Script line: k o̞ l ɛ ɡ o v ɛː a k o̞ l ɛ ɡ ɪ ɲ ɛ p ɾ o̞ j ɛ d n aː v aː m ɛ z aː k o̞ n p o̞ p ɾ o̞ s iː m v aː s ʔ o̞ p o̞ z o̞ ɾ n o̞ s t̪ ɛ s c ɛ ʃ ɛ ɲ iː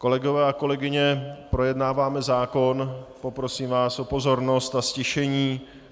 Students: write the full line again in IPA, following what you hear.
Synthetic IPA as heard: k o̞ l ɛ ɡ o v ɛː a k o̞ l ɛ ɡ ɪ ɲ ɛ p ɾ o̞ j ɛ d n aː v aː m ɛ z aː k o̞ n p o̞ p ɾ o̞ s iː m v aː s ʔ o̞ p o̞ z o̞ ɾ n o̞ s t̪ a s c ɛ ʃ ɛ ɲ iː